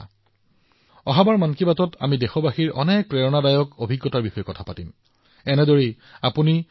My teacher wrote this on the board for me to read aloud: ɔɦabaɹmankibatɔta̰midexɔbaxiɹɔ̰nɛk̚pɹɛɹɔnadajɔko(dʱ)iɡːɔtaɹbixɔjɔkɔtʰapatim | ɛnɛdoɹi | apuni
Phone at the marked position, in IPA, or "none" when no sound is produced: bʱ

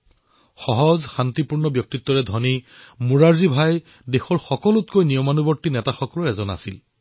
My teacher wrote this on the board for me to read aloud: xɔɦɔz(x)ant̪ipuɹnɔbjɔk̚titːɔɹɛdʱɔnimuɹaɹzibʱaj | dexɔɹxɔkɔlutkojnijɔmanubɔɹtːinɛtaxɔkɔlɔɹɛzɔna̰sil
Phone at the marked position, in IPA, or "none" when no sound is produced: x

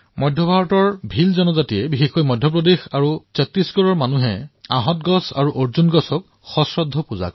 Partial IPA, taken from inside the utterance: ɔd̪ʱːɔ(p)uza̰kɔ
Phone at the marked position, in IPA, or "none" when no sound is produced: p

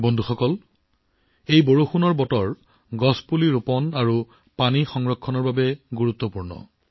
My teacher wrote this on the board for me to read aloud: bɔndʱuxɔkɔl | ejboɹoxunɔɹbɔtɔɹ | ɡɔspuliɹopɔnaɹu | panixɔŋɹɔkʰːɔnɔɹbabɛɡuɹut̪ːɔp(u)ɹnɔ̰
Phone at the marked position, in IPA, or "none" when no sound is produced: u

